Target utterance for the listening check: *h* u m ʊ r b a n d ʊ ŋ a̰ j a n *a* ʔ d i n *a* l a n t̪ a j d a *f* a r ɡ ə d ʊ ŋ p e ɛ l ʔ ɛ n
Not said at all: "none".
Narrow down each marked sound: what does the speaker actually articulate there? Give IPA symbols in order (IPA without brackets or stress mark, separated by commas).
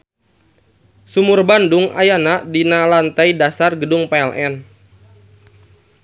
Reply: s, a, a, s